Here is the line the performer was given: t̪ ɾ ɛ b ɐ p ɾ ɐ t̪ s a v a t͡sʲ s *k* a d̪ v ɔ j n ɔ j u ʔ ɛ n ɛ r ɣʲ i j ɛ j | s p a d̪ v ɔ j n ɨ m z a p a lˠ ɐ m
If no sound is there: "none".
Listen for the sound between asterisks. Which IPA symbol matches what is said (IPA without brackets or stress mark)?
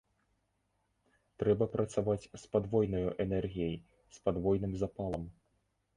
p